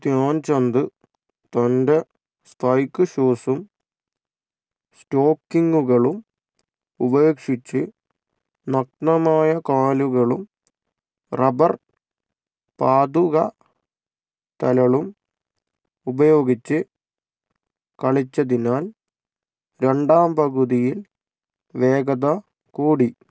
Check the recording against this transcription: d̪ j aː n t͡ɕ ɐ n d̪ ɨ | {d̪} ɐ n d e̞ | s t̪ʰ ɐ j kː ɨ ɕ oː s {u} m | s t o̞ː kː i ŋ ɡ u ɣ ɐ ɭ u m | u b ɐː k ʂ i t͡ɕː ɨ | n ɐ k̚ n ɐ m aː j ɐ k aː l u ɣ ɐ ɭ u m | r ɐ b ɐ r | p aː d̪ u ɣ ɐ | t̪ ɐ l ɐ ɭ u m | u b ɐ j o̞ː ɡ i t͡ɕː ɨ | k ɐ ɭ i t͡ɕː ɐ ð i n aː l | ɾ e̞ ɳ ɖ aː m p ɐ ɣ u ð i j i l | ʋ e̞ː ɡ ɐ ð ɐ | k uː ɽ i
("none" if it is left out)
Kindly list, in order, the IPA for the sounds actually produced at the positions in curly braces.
t̪, u

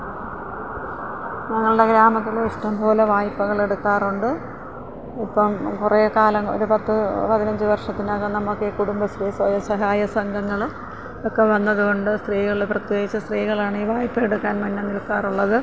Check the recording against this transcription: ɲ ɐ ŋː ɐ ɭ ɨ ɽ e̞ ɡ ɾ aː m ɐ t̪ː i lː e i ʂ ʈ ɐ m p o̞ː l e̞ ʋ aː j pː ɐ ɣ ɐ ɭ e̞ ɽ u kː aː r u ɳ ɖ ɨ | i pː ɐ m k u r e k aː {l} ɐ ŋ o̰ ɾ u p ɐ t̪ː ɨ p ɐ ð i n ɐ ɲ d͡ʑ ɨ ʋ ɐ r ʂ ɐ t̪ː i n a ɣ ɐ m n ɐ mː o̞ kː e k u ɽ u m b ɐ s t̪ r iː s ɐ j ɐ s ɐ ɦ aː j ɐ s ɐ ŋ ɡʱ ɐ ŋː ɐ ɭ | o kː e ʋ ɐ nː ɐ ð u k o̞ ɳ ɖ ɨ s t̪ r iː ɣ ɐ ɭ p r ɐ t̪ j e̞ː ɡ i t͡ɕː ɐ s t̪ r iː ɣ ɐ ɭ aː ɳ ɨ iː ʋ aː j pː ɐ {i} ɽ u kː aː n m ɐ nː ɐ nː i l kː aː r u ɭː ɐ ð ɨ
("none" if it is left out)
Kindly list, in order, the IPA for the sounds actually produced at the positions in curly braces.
l, e

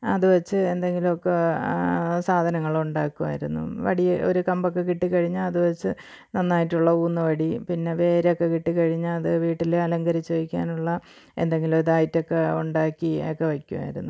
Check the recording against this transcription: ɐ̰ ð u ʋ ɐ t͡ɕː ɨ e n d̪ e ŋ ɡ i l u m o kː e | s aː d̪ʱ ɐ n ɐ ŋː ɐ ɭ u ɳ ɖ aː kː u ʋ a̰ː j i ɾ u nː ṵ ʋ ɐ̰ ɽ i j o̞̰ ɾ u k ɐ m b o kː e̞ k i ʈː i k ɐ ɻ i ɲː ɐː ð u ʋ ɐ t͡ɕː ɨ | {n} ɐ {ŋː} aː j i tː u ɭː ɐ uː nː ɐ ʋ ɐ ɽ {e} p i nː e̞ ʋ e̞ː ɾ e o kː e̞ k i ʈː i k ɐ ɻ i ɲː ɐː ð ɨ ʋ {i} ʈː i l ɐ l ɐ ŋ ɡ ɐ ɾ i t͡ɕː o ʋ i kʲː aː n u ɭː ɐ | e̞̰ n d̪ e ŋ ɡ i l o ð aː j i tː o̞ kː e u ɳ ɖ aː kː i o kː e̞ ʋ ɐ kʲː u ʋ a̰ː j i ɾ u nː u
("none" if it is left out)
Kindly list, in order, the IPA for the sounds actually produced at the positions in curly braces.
n, nː, i, iː

